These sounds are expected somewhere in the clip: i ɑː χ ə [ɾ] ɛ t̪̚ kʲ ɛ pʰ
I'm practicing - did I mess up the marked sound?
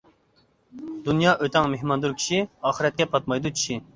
no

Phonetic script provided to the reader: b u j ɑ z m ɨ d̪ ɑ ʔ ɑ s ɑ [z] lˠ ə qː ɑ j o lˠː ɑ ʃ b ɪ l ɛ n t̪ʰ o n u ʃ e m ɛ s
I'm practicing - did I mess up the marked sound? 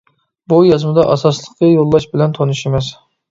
yes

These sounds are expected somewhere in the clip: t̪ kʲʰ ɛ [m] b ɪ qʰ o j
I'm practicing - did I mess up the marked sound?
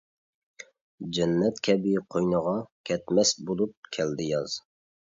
yes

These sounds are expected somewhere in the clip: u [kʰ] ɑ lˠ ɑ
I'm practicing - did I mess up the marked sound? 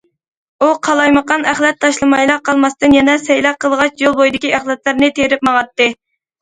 yes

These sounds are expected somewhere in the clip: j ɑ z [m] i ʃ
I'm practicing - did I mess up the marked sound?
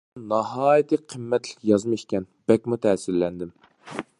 no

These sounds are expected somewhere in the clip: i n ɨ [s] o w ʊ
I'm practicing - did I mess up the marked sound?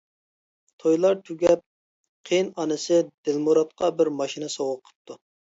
no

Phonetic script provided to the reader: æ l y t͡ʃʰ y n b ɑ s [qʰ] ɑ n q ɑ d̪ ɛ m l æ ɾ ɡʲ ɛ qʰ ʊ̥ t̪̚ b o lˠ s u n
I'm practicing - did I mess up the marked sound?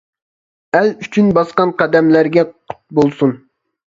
yes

